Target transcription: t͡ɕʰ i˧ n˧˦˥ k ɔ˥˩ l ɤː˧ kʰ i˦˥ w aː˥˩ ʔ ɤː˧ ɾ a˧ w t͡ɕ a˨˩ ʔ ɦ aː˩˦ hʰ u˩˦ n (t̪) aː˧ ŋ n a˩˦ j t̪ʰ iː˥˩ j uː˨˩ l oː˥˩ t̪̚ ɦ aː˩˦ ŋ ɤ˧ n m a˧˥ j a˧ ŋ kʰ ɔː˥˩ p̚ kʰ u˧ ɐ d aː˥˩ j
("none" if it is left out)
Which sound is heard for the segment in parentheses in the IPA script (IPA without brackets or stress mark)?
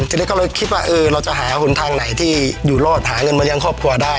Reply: t̪ʰ